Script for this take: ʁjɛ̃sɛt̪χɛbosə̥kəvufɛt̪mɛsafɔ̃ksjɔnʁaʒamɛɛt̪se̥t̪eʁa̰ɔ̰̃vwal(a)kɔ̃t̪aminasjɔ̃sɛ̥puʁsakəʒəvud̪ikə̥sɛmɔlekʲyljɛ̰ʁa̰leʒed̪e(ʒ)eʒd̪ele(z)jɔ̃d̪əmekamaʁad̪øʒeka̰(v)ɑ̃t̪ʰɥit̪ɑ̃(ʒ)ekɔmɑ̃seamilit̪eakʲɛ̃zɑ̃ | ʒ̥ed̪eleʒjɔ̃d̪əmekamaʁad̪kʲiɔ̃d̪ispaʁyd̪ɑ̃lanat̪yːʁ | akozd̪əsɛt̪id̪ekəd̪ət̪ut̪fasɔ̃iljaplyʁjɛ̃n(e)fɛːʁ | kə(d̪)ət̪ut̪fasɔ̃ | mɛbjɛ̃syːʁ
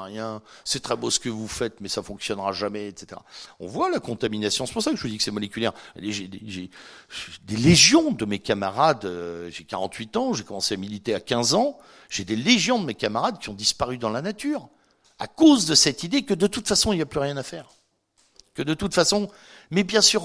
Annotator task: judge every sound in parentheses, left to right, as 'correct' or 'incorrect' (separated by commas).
correct, correct, incorrect, incorrect, correct, incorrect, correct